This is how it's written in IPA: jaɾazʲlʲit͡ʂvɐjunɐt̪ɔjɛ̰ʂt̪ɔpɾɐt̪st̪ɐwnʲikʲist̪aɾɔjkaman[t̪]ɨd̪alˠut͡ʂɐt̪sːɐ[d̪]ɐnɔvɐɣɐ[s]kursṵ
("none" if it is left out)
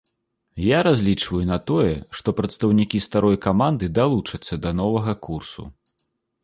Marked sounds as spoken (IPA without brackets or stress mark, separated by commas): d̪, d̪, none